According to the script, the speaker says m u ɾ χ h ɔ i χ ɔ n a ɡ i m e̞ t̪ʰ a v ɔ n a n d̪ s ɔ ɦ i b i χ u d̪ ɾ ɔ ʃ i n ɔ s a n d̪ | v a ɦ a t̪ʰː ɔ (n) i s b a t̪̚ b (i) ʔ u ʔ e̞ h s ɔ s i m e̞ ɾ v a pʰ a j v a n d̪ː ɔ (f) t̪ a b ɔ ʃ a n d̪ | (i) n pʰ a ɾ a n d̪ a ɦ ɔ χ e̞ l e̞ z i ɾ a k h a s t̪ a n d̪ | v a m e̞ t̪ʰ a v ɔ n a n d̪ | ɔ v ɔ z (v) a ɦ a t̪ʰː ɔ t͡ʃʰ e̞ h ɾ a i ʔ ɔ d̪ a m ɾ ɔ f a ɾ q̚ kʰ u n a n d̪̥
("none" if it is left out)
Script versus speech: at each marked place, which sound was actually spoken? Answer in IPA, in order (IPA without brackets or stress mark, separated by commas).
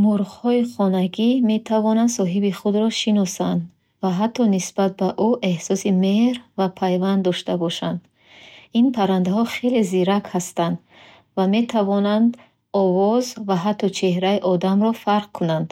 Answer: n, a, ʃ, i, v